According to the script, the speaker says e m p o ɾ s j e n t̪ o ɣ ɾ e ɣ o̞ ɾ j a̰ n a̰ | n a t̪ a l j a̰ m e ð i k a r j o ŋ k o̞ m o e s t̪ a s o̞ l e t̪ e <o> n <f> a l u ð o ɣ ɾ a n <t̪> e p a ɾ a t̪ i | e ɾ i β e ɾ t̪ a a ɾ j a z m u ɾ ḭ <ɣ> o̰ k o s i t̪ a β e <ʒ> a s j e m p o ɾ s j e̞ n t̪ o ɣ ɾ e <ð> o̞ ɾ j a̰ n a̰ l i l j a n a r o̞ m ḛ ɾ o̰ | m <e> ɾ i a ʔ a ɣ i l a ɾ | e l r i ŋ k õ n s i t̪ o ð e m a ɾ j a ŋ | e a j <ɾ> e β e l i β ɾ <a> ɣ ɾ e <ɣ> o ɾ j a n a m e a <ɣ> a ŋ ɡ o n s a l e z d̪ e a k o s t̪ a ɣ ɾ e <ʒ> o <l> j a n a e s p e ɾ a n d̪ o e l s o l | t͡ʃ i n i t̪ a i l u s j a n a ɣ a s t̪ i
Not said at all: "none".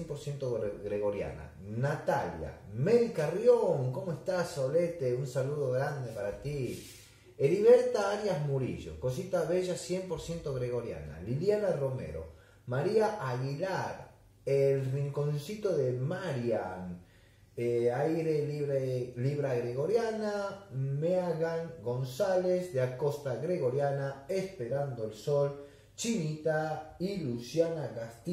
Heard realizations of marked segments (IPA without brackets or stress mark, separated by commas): u, s, d̪, ʒ, ʒ, ɣ, a, ɾ, a, ɣ, ɣ, ɣ, ɾ